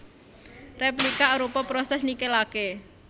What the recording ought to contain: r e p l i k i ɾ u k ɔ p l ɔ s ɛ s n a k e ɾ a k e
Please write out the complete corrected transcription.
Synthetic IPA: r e p l i k a ɾ u p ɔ p ɾ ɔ s ɛ s n i k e l a k e